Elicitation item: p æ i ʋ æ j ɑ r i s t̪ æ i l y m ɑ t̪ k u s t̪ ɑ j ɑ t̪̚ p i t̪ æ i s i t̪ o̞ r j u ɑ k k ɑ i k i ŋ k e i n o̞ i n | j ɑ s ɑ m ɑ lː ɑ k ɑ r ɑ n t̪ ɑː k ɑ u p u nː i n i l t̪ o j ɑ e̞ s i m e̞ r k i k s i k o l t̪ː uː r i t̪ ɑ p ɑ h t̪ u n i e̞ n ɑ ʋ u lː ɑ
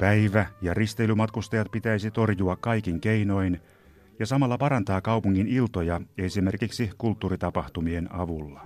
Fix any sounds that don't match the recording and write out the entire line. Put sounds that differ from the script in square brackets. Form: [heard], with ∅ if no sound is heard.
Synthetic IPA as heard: p æ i ʋ æ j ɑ r i s t̪ [e] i l y m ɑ t̪ k u s t̪ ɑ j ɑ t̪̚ p i t̪ æ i s i t̪ o̞ r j u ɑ k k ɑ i k i ŋ k e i n o̞ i n | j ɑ s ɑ m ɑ lː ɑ [p] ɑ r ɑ n t̪ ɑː k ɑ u p u [ŋː] i n i l t̪ o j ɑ e̞ s i m e̞ r k i k s i k [u] l t̪ː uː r i t̪ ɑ p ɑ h t̪ u [m] i e̞ n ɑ ʋ u lː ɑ